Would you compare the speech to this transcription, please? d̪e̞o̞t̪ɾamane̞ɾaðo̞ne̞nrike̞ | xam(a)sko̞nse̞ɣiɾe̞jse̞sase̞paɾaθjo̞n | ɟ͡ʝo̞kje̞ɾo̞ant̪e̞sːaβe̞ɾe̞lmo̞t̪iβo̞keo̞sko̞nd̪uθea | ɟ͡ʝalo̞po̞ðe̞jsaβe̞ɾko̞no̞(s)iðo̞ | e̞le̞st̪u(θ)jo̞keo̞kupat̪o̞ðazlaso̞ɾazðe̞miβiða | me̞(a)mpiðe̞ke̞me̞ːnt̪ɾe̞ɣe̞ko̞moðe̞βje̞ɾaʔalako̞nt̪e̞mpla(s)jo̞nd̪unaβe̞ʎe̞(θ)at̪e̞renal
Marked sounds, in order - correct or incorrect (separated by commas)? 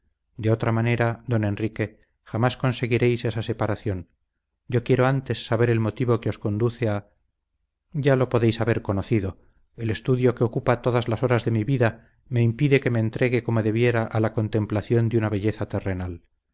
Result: correct, incorrect, incorrect, incorrect, incorrect, correct